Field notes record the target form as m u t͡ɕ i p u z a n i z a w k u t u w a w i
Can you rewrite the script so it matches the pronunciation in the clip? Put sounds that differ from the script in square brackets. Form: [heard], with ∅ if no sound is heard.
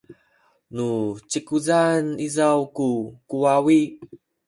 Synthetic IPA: [n] u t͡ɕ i [k] u z a n i z a w k u [k] u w a w i